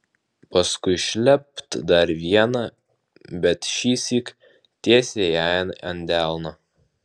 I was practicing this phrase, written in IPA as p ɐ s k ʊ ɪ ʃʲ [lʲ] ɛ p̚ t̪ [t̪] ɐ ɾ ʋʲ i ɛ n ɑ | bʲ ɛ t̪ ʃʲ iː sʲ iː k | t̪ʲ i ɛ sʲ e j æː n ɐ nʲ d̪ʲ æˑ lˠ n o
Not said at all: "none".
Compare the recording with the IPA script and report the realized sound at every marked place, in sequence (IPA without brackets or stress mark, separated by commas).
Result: lʲ, d̪